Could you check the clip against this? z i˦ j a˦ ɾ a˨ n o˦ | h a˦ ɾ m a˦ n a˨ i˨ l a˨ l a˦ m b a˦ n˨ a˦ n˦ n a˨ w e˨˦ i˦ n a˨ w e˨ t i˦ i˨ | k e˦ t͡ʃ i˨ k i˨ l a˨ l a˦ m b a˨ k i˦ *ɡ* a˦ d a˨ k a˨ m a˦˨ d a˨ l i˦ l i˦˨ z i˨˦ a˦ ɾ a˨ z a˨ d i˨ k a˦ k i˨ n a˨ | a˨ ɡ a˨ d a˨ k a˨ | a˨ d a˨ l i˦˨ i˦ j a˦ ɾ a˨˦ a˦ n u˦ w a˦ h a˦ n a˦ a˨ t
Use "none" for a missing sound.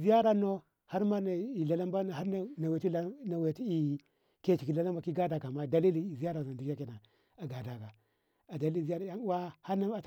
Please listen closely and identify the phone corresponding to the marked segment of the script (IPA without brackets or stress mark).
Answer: ɡ